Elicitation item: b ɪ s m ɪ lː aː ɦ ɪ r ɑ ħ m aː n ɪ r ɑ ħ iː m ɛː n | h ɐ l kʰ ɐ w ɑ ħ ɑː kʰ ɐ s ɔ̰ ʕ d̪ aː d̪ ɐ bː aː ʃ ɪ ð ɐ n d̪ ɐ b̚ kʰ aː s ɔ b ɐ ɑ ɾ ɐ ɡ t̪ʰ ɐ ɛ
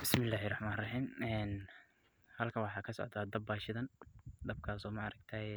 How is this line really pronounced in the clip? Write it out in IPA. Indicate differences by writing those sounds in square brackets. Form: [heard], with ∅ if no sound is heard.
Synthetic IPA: b ɪ s m ɪ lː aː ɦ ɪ r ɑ ħ m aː n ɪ r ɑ ħ iː m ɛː n | h ɐ l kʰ ɐ w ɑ ħ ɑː kʰ ɐ s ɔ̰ ʕ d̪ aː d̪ ɐ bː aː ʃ ɪ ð ɐ n d̪ ɐ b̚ kʰ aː s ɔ [m] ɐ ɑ ɾ ɐ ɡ t̪ʰ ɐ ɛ